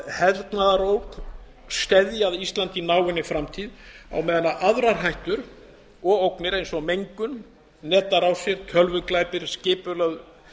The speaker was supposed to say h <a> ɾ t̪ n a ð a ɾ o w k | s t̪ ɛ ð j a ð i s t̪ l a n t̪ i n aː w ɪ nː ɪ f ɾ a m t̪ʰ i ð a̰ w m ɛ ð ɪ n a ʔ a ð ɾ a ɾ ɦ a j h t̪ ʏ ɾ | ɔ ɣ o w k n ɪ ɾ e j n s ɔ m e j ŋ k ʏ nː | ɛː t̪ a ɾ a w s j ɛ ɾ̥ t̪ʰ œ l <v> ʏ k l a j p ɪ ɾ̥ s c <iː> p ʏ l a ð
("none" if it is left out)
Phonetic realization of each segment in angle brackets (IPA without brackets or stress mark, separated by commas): ɛ, v, ɪː